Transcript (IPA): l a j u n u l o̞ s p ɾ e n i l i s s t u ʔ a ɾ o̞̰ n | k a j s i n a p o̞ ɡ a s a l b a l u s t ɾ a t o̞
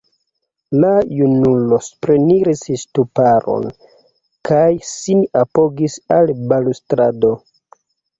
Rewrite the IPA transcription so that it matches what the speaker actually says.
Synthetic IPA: l a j u n u l o̞ s p ɾ e n i ɾ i s s t u p a ɾ o̞̰ n | k a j s i n a p o̞ ɡ i s a l b a l u s t ɾ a d o̞